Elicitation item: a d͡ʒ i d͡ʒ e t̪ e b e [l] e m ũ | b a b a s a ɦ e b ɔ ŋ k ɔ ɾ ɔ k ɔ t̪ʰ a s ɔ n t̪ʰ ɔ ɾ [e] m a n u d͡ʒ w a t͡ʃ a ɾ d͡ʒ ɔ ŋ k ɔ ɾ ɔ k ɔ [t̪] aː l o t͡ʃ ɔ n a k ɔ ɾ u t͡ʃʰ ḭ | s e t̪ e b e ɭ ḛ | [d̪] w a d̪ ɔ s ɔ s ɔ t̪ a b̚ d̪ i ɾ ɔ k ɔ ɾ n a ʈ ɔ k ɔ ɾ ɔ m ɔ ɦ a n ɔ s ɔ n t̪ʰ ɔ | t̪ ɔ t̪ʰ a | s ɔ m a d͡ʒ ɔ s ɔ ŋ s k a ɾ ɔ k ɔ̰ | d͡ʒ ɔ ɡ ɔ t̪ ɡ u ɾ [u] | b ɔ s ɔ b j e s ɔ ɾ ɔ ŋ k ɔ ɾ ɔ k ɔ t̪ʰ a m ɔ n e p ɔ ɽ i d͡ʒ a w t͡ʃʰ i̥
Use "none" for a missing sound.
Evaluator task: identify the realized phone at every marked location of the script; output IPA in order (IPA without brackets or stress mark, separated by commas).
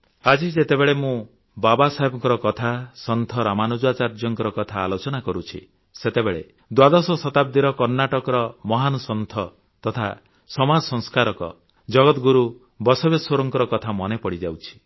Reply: ɭ, a, t̪ʰ, d̪, u